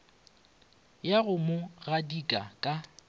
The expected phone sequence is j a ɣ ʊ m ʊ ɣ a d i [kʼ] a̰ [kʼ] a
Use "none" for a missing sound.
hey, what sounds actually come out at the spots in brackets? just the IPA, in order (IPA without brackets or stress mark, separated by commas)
kʼ, kʼ